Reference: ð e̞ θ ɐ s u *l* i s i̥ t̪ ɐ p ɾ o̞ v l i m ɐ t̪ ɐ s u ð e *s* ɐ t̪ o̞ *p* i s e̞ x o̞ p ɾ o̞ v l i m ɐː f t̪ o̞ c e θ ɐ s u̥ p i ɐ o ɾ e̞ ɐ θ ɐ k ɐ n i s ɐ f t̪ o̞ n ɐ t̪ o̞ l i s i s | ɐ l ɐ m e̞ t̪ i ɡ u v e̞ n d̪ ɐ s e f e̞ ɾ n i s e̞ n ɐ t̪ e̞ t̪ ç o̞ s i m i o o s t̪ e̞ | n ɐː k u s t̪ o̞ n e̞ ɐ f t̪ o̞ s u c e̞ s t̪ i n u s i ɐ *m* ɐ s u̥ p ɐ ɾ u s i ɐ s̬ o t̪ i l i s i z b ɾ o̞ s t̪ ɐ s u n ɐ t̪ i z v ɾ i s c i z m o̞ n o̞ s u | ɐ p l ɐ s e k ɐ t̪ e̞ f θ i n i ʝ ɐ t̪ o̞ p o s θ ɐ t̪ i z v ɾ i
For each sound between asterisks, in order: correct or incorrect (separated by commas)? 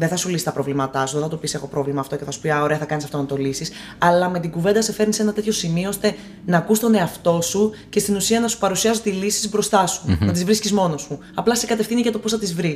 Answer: correct, incorrect, correct, incorrect